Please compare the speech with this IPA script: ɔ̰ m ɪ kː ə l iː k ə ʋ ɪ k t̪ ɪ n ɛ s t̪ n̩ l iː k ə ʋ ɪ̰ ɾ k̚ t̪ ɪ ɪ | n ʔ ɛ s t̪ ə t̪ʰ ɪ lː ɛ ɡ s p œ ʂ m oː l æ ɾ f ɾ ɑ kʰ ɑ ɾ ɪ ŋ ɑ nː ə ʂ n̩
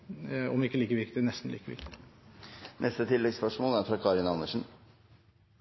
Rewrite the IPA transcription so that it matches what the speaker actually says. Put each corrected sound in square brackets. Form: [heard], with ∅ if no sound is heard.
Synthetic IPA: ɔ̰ m ɪ kː ə l iː k ə ʋ ɪ k t̪ ɪ n ɛ s t̪ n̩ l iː k ə ʋ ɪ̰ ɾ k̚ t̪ ɪ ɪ | n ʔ ɛ s t̪ ə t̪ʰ ɪ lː ɛ ɡ s p œ ʂ m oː l æ ɾ f ɾ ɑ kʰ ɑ ɾ ɪ [n] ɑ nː ə ʂ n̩